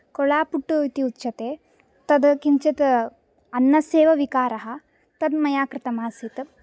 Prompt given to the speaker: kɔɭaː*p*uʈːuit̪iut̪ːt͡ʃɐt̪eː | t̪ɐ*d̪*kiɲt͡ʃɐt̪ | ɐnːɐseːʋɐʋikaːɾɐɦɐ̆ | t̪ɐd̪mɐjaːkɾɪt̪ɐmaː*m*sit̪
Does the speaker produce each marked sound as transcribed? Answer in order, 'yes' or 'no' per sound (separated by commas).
yes, yes, no